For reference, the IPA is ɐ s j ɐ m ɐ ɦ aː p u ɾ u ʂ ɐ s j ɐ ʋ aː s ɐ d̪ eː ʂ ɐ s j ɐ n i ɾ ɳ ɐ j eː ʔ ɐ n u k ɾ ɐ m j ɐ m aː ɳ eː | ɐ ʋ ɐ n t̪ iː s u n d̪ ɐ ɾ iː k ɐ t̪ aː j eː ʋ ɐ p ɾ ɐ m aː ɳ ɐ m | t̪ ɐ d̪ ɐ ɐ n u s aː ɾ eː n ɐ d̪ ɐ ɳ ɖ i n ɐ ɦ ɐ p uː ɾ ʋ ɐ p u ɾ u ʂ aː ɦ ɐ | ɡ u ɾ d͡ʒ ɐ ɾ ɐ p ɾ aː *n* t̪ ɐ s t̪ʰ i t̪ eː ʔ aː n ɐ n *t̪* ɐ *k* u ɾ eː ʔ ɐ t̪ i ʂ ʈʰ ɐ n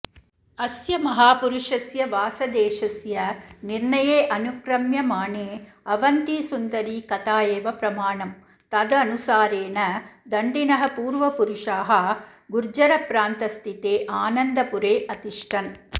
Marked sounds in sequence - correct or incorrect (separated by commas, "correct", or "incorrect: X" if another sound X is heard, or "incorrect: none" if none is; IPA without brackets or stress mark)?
correct, incorrect: d̪, incorrect: p